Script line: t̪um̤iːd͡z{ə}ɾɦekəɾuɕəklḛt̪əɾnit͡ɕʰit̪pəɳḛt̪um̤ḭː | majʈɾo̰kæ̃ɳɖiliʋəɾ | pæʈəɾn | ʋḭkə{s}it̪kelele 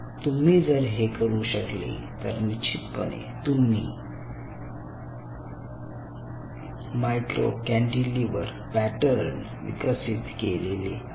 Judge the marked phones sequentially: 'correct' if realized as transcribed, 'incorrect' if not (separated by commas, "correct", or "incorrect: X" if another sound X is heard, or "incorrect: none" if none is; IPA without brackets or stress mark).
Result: correct, correct